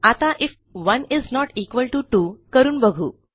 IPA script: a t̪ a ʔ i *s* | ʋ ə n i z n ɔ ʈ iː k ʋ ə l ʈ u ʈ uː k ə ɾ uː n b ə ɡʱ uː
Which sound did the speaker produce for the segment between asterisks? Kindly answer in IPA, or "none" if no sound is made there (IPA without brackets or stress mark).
f